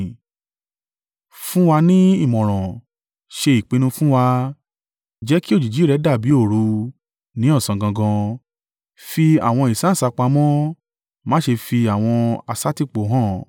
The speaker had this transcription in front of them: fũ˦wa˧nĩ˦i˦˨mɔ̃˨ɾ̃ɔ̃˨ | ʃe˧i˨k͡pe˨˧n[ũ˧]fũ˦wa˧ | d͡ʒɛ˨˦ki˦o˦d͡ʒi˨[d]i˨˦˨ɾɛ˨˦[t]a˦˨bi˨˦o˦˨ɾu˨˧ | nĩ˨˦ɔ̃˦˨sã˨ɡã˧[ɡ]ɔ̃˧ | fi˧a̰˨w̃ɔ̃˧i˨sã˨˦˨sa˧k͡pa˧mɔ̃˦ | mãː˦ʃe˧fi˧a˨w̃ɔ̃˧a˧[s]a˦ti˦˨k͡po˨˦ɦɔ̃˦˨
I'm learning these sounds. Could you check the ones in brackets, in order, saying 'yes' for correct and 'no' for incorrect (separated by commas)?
yes, no, no, yes, yes